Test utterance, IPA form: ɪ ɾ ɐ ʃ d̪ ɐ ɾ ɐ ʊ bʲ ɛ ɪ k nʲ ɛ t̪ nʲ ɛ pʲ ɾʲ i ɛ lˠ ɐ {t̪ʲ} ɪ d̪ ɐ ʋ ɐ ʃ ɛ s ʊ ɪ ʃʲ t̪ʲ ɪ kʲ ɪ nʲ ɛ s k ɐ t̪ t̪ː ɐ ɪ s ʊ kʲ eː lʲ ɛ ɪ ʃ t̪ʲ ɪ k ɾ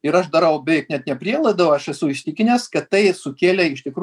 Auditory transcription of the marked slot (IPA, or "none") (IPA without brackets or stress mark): none